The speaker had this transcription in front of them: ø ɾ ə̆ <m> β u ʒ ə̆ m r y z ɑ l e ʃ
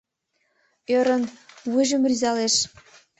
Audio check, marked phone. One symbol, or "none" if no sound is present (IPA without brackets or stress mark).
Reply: n